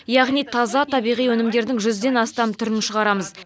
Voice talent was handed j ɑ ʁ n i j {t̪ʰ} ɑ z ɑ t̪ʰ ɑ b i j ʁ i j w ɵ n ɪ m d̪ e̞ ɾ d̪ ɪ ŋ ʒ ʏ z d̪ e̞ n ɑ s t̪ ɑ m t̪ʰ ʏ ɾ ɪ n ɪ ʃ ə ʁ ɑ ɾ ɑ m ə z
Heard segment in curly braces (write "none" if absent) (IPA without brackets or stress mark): t̪ʰ